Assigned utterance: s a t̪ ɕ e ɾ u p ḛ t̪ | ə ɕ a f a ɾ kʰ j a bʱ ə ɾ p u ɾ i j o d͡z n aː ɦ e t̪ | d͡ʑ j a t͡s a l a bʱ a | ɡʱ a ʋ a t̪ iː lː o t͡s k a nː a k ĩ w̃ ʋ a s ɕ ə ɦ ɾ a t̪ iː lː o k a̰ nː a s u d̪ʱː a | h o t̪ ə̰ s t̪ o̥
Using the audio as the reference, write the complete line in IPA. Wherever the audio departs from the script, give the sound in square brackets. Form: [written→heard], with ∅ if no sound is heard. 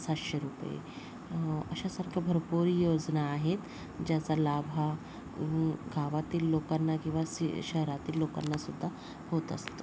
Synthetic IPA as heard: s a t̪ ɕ e ɾ u p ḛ [t̪→∅] | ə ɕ a [f→s] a ɾ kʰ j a bʱ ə ɾ p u ɾ i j o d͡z n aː ɦ e t̪ | d͡ʑ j a t͡s a l a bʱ a | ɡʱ a ʋ a t̪ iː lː o [t͡s→∅] k a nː a k ĩ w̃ ʋ a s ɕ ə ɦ ɾ a t̪ iː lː o k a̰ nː a s u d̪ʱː a | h o t̪ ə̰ s t̪ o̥